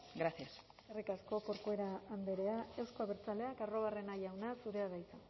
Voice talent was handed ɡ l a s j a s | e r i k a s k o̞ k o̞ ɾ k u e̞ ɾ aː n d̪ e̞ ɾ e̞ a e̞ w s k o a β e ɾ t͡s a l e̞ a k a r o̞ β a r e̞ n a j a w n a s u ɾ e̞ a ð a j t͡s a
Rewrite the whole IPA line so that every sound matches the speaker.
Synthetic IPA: ɡ ɾ a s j a s | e r i k a s k o̞ k o̞ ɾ k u e̞ ɾ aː n d̪ e̞ ɾ e̞ a e̞ w s k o a β e ɾ t͡s a l e̞ a k a r o̞ β a r e̞ n a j a w n a s u ɾ e̞ a ð a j t͡s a